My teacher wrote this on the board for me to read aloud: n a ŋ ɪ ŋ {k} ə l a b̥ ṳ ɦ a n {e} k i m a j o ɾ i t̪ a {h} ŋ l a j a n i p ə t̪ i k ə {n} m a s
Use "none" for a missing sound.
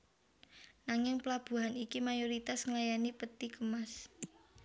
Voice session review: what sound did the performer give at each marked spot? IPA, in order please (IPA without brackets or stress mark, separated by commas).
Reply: p, i, s, none